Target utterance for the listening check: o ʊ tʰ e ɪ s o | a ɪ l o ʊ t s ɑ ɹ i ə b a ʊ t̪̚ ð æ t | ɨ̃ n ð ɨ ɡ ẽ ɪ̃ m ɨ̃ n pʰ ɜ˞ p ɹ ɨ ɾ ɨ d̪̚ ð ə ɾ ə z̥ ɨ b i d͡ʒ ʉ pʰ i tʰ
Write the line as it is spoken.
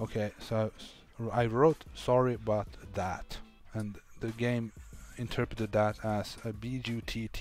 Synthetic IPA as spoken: o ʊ kʰ e ɪ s o | a ɪ ɹ o ʊ t s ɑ ɹ i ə b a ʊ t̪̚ ð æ t | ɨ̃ n ð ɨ ɡ ẽ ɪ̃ m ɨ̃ n tʰ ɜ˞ p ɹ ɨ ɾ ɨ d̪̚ ð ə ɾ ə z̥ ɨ b i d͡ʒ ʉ tʰ i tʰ

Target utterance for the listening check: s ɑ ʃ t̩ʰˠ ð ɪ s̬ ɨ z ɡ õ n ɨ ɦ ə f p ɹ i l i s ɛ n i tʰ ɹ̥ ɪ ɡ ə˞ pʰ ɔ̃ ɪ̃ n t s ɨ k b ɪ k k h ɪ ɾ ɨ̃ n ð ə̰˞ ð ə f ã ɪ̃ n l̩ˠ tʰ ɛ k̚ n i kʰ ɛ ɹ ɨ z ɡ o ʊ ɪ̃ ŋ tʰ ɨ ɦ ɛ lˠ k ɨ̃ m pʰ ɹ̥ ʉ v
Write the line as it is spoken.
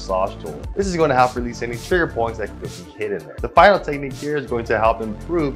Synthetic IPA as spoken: s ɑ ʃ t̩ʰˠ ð ɪ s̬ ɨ z ɡ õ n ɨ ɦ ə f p ɹ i l i s ɛ n i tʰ ɹ̥ ɪ ɡ ə˞ pʰ ɔ̃ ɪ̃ n t s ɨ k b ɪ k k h ɪ ɾ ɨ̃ n ð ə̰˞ ð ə f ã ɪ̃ n l̩ˠ tʰ ɛ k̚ n i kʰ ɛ ɹ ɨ z ɡ o ʊ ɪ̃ ŋ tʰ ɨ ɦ ɛ lˠ p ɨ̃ m pʰ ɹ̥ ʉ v

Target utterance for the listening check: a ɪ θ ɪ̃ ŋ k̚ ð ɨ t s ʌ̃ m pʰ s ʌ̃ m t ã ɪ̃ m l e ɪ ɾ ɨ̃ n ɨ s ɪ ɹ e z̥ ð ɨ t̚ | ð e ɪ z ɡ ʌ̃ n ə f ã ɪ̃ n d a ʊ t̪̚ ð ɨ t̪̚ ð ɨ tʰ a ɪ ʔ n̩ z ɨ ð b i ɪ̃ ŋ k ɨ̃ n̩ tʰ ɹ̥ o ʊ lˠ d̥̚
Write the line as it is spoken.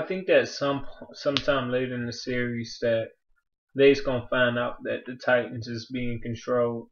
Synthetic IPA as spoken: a ɪ θ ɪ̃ ŋ k̚ ð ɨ t s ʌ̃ m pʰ s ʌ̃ m tʰ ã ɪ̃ m l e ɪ ɾ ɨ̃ n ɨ s ɪ ɹ i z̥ ð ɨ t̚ | ð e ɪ z ɡ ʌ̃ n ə f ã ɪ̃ n d a ʊ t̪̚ ð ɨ t̪̚ ð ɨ tʰ a ɪ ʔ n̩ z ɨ z b i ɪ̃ ŋ k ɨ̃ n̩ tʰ ɹ̥ o ʊ lˠ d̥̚

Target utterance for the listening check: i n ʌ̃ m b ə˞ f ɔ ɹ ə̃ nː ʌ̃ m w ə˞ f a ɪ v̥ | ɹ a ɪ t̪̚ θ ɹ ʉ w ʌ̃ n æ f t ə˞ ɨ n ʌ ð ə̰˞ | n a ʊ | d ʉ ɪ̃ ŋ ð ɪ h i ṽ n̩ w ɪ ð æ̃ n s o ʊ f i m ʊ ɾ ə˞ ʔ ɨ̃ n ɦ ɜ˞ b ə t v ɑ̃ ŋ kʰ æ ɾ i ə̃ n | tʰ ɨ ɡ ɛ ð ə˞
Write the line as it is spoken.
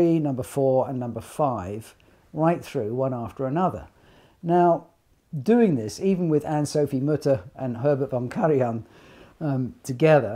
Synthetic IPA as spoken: i n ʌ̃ m b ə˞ f ɔ ɹ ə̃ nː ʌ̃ m b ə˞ f a ɪ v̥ | ɹ a ɪ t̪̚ θ ɹ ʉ w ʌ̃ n æ f t ə˞ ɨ n ʌ ð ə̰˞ | n a ʊ | d ʉ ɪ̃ ŋ ð ɪ s i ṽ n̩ w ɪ ð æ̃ n s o ʊ f i m ʊ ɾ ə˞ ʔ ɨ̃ n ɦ ɜ˞ b ə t v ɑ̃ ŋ kʰ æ ɹ i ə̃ n | tʰ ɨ ɡ ɛ ð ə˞

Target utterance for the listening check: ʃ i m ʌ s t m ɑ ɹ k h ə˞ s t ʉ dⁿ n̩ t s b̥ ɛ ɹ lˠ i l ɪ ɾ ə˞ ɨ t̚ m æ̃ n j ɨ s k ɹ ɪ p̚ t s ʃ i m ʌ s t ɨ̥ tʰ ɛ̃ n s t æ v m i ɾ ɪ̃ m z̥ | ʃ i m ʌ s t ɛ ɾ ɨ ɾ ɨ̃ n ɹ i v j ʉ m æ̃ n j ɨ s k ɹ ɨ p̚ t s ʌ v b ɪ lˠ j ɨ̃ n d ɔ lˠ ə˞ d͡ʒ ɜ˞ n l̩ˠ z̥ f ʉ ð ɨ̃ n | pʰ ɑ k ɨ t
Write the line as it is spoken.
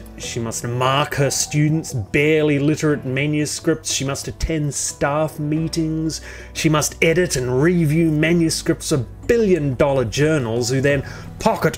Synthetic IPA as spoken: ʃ i m ʌ s t m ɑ ɹ k h ə˞ s t ʉ dⁿ n̩ t s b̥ ɛ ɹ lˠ i l ɪ ɾ ə˞ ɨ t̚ m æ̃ n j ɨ s k ɹ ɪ p̚ t s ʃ i m ʌ s t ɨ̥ tʰ ɛ̃ n s t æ f m i ɾ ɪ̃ ŋ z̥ | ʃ i m ʌ s t ɛ ɾ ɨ ɾ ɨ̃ n ɹ i v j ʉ m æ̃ n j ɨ s k ɹ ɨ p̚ t s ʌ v b ɪ lˠ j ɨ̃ n d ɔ lˠ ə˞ d͡ʒ ɜ˞ n l̩ˠ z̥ h ʉ ð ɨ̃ n | pʰ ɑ k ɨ t

